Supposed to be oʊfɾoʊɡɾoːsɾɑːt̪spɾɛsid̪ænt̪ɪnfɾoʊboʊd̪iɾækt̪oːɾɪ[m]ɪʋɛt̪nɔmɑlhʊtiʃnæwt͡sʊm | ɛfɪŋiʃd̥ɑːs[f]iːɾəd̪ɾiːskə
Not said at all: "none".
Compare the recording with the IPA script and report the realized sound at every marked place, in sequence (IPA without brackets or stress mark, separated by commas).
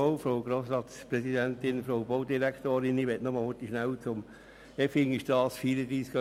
n, f